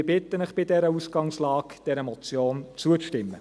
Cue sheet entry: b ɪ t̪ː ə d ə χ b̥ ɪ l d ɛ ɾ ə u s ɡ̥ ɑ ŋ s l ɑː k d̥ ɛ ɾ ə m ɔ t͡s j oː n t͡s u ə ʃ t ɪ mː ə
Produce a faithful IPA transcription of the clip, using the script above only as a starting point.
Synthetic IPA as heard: b ɪ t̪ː ə n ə χ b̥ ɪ d ɛ ɾ ə u s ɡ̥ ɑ ŋ s l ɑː k d̥ ɛ ɾ ə m ɔ t͡s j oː n t͡s u ə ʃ t ɪ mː ə